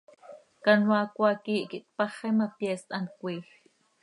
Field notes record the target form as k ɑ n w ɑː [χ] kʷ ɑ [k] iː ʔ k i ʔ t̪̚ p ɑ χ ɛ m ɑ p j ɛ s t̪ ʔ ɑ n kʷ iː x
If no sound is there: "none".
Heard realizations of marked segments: none, k

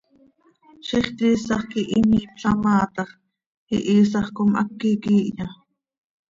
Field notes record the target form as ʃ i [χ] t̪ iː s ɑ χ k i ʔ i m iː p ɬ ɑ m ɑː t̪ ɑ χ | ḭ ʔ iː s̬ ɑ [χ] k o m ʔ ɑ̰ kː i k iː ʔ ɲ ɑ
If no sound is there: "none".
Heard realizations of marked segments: χ, χ

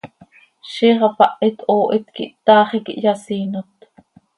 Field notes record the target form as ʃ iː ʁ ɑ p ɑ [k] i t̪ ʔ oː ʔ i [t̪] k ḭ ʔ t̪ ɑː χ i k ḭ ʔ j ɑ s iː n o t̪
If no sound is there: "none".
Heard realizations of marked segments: ʔ, t̪

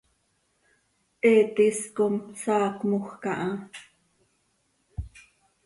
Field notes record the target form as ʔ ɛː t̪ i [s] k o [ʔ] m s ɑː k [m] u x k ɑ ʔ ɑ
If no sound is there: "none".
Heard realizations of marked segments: s, none, m

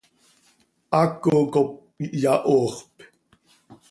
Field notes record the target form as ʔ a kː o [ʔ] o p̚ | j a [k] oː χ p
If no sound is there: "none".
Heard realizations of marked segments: k, ʔ

